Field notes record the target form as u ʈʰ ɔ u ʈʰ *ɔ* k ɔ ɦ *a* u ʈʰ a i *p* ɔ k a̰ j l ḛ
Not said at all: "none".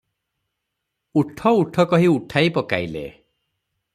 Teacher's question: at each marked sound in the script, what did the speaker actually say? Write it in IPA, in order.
ɔ, i, p

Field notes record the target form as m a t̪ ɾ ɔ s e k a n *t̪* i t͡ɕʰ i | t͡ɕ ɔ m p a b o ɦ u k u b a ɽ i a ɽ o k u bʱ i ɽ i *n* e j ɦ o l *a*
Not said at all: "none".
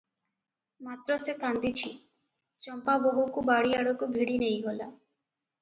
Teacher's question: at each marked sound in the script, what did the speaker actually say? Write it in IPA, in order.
d̪, n, a

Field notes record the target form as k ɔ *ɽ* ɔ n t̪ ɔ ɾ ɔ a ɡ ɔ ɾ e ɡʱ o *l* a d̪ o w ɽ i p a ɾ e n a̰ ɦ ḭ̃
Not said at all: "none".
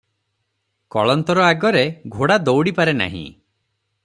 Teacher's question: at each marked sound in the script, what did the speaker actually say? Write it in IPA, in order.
ɭ, ɽ

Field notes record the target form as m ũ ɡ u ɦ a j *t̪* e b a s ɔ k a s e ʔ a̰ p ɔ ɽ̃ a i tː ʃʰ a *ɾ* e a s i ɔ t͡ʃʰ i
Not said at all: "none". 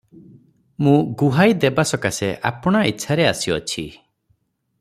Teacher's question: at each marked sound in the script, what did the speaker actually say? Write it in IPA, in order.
d̪, ɾ

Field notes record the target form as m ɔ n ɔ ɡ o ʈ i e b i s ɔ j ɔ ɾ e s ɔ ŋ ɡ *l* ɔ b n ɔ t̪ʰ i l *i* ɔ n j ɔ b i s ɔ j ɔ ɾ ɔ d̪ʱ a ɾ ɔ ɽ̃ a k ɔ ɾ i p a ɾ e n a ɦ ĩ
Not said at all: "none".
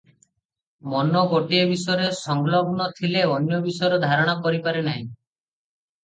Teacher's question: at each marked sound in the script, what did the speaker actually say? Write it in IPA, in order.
l, e

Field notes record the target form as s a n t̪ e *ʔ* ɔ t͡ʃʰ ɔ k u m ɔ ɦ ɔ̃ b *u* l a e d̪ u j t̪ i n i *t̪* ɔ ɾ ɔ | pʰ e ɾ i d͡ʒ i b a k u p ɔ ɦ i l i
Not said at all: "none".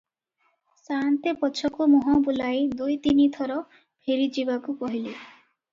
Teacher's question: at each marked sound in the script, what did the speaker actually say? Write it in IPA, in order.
p, u, t̪ʰ

